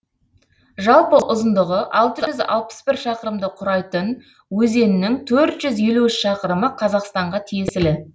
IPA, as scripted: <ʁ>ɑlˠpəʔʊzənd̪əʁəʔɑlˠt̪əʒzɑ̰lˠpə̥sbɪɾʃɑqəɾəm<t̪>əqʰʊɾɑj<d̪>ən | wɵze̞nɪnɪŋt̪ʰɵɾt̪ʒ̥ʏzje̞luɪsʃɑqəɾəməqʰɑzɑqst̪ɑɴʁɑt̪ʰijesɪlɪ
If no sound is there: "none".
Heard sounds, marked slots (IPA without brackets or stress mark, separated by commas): ʒ, d̪, t̪